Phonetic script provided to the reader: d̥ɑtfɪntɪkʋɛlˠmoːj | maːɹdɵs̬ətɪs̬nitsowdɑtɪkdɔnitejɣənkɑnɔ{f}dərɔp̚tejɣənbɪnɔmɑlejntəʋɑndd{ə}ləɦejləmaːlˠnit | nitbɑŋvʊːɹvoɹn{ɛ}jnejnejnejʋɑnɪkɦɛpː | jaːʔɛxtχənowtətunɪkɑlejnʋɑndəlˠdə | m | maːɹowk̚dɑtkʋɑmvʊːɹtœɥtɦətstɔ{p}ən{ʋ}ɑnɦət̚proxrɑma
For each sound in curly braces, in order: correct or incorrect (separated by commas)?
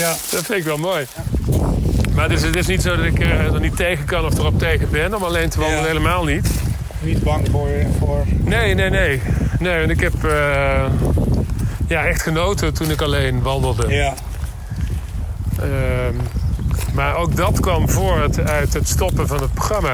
correct, correct, incorrect, correct, incorrect